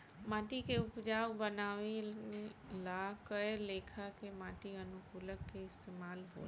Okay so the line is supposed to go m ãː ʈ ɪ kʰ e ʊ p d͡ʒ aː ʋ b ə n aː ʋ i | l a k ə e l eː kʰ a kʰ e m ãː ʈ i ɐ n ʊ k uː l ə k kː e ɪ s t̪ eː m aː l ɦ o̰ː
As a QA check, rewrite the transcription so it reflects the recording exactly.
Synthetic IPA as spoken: m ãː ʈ i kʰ e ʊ p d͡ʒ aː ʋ b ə n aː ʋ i | l a k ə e l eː kʰ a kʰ e m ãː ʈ i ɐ n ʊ k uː l ə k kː e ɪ s t̪ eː m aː l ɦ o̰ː